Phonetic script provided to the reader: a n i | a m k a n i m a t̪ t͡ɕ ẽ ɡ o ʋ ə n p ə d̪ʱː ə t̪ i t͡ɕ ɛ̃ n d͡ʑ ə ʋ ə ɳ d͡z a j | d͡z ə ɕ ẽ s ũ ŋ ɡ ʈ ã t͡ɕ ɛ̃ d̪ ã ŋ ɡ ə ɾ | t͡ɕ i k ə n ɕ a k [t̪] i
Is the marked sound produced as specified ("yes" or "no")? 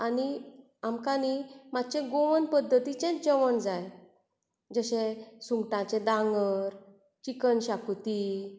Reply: yes